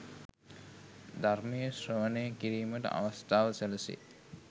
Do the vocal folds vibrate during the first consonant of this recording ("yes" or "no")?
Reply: yes